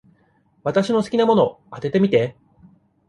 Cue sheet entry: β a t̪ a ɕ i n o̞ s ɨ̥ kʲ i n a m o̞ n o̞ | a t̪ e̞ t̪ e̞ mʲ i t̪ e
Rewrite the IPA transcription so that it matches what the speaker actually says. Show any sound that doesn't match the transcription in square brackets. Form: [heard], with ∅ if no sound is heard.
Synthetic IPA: β a t̪ a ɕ i n o̞ s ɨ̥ kʲ i n a m o̞ n o̞ | a t̪ e̞ t̪ e̞ mʲ i t̪ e